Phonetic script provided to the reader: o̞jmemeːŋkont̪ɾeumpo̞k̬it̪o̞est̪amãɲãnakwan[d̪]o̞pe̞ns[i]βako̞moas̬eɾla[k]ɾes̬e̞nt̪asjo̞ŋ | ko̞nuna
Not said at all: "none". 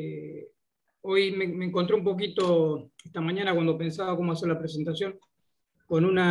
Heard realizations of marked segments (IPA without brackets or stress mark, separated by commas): d̪, a, p